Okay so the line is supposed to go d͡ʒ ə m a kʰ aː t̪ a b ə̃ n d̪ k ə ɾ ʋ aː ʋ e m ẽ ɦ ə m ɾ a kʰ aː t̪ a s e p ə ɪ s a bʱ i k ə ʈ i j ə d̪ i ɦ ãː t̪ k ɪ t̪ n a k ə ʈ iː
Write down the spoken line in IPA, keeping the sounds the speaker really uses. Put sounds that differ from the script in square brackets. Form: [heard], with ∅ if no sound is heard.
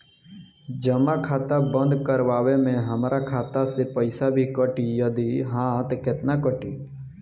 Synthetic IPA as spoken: d͡ʒ ə m a kʰ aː t̪ a b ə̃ n d̪ k ə ɾ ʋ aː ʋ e m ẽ ɦ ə m ɾ a kʰ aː t̪ a s e p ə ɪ s a bʱ i k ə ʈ i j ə d̪ i ɦ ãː t̪ k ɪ t̪ n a k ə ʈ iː